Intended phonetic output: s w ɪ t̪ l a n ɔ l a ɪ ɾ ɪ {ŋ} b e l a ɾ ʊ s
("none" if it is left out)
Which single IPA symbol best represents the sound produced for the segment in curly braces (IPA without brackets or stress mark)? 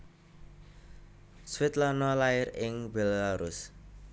ŋ